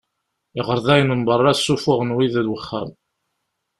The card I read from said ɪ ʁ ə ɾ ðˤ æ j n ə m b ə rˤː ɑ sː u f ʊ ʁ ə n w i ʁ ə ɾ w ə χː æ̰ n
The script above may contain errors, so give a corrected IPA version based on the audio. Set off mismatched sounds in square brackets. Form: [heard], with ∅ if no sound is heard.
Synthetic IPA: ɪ ʁ ə ɾ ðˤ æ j n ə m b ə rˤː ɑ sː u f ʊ ʁ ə n w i [ð] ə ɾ w ə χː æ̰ [m]